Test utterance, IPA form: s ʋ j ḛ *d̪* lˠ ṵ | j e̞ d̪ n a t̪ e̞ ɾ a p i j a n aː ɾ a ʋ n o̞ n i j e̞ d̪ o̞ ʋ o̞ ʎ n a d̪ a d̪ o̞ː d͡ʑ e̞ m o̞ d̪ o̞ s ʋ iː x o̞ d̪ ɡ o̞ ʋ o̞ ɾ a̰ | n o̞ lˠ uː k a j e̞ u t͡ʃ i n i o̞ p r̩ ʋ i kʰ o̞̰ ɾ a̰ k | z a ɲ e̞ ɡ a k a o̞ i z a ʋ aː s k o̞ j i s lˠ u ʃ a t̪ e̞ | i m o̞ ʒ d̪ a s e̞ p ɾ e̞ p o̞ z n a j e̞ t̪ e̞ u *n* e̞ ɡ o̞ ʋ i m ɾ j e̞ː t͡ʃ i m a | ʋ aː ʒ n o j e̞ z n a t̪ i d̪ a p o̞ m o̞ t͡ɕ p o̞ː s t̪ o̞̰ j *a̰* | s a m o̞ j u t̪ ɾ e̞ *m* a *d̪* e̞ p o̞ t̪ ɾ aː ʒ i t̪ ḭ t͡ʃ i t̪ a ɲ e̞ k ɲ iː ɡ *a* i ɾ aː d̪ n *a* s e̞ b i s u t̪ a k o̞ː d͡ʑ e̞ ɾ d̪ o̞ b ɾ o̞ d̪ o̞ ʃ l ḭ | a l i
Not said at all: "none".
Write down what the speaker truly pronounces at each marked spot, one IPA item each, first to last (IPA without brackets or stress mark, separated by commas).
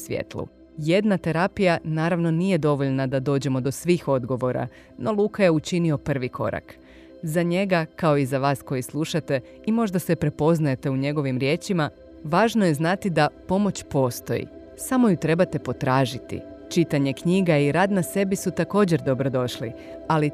t̪, ɲ, ḭ, b, t̪, a, a